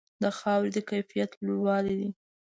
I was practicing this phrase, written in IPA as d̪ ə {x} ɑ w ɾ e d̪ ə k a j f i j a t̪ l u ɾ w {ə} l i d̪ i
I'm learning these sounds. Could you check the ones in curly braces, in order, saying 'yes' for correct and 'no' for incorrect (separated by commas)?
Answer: yes, no